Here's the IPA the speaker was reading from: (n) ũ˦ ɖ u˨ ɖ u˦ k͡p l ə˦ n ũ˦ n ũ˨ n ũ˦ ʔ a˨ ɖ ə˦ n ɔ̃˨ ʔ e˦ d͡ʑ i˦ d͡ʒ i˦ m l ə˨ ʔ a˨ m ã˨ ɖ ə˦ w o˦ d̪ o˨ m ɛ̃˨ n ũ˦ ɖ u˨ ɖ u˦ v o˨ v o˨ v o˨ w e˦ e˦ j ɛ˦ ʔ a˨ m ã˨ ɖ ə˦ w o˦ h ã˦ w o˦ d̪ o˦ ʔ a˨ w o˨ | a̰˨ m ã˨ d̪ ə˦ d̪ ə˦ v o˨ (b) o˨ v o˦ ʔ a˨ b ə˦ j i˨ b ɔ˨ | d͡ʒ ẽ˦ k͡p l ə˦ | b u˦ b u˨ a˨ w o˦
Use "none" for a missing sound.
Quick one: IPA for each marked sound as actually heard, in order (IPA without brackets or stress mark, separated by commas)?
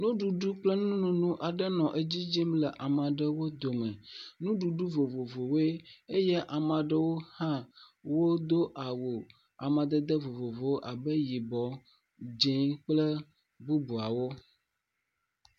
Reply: n, v